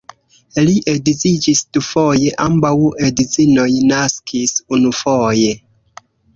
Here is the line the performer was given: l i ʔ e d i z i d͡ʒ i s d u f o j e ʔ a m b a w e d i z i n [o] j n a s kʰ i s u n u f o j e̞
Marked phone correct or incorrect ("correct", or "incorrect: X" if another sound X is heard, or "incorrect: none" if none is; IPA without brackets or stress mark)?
correct